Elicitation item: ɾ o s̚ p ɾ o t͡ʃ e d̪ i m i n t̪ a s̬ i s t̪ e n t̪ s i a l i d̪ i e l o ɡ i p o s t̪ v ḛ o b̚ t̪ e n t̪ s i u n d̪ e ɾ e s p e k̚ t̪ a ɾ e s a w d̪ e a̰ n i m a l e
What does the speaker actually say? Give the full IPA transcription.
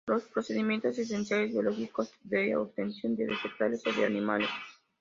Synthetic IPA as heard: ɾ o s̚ p ɾ o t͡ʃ e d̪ i m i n t̪ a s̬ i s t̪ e n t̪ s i a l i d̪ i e l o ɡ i k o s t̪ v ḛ o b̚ t̪ e n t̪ s i u n d̪ e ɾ e s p e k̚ t̪ a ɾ e s a w d̪ e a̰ n i m a l e